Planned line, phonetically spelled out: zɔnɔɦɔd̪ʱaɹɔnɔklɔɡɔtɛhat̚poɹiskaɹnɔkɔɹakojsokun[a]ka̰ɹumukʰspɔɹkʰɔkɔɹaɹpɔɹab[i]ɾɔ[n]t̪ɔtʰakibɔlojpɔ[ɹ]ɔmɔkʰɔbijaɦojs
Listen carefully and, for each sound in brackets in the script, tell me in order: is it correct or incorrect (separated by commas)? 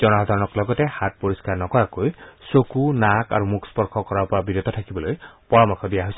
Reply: correct, correct, incorrect, correct